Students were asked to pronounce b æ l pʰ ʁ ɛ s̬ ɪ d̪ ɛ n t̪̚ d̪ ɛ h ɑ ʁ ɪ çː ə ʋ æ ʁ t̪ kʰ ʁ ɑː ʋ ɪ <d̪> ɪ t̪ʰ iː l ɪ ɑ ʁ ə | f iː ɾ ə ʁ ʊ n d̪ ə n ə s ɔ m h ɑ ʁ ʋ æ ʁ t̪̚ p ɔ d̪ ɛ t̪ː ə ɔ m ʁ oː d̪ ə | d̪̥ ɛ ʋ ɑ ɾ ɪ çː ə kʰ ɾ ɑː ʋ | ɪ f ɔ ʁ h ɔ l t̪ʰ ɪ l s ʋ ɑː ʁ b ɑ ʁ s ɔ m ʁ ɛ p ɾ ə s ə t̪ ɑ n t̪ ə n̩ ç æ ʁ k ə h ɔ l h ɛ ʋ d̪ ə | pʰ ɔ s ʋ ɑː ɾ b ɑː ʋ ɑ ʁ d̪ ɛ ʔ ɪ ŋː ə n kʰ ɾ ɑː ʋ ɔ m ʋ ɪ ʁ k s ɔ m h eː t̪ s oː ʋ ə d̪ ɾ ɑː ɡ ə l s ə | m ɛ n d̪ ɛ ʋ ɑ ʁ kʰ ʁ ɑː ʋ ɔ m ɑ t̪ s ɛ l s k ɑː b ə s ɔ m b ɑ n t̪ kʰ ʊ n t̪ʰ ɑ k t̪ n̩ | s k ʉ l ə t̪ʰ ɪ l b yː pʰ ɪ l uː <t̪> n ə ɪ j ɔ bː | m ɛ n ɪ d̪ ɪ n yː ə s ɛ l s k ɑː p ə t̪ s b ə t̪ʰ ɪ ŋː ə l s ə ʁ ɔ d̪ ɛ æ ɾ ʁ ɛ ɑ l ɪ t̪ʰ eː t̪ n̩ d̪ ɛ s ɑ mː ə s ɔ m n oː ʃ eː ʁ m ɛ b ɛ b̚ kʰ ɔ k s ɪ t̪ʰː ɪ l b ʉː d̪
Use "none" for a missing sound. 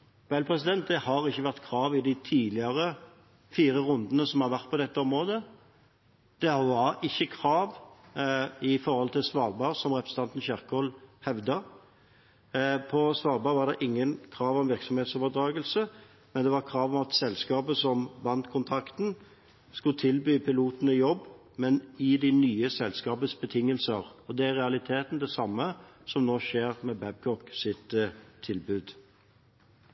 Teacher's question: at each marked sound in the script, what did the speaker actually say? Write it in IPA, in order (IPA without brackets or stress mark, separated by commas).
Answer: d̪, t̪